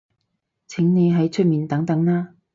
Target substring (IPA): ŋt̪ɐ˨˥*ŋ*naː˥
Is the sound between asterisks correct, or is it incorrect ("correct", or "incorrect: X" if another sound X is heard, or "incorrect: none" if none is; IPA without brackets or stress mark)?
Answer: correct